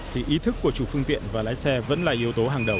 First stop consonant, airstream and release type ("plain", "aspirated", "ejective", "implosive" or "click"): aspirated